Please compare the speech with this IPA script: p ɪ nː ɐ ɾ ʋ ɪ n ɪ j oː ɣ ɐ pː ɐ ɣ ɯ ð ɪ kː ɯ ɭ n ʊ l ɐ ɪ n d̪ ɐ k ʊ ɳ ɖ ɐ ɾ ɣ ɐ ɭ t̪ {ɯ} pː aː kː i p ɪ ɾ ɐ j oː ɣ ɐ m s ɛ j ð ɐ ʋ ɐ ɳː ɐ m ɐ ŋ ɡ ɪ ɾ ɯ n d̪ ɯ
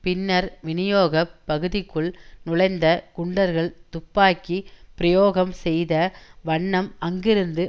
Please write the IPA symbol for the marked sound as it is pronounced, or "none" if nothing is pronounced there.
ʊ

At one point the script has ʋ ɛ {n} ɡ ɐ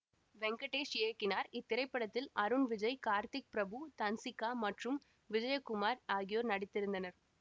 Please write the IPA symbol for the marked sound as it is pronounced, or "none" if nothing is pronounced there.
ŋ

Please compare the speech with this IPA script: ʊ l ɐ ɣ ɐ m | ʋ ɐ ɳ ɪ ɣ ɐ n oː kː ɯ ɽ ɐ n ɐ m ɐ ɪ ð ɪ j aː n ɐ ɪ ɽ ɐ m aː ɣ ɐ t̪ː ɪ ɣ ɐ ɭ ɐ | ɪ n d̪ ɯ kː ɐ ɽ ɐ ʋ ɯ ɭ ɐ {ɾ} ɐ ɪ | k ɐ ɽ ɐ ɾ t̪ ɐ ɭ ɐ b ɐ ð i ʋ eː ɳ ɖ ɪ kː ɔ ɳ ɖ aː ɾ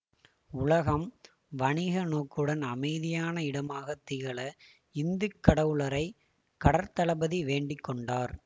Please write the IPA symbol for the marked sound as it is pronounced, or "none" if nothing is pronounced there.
ɾ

